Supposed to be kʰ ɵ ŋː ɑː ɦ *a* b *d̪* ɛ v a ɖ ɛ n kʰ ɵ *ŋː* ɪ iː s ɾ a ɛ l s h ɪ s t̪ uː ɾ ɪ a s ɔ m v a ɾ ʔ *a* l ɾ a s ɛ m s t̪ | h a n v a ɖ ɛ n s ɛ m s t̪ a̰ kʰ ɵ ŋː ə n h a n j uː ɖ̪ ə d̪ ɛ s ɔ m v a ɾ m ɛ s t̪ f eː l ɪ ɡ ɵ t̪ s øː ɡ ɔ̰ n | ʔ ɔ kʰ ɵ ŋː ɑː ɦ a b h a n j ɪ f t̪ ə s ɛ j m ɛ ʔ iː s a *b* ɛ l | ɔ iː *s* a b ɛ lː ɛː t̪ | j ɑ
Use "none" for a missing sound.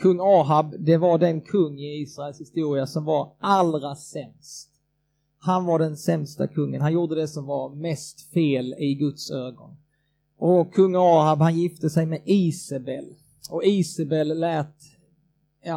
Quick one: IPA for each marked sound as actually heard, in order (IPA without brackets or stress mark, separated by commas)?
a, d̪, ŋː, a, b, s